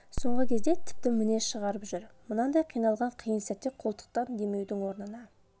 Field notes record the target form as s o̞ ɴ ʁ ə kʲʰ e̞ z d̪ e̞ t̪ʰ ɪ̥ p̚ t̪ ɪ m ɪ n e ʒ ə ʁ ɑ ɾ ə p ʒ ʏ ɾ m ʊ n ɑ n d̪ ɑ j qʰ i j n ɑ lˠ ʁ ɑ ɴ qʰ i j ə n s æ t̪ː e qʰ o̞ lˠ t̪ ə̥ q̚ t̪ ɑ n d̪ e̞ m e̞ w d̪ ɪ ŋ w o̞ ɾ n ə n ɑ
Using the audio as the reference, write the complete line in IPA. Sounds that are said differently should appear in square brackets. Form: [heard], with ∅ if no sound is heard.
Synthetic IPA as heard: s o̞ ɴ ʁ ə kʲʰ e̞ z d̪ e̞ t̪ʰ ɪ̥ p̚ t̪ ɪ m ɪ n e [ʃ] ə ʁ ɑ ɾ ə p ʒ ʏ ɾ m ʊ n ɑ n d̪ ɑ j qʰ i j n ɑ lˠ ʁ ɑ ɴ qʰ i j ə n s æ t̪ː e qʰ o̞ lˠ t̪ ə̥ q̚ t̪ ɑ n d̪ e̞ m e̞ w d̪ ɪ ŋ w o̞ ɾ n ə n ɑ